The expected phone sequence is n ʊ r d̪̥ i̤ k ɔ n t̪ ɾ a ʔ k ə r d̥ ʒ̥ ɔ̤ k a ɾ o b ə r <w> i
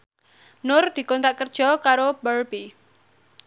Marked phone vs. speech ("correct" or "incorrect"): incorrect